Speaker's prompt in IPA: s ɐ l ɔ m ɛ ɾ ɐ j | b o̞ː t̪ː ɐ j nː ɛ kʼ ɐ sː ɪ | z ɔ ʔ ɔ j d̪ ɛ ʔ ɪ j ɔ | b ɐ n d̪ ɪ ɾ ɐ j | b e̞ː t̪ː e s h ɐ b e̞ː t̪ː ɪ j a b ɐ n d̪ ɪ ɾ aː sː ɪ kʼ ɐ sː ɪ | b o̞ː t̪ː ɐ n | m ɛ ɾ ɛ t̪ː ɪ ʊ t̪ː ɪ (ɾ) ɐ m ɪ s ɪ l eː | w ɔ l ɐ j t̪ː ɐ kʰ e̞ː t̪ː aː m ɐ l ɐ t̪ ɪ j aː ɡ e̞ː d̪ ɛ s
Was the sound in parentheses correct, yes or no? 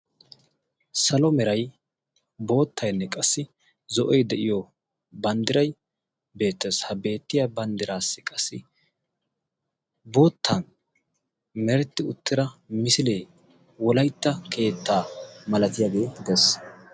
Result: yes